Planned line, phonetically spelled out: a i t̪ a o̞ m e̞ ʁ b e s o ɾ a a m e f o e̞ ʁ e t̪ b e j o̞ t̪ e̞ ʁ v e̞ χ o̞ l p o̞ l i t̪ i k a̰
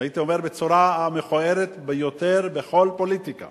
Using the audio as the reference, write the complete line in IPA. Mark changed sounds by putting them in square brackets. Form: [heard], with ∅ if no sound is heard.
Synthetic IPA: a i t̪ [i] o̞ m e̞ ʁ b e [t͡s] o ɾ a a m e [χ] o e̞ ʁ e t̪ b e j o̞ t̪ e̞ ʁ [b] e̞ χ o̞ l p o̞ l i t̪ i k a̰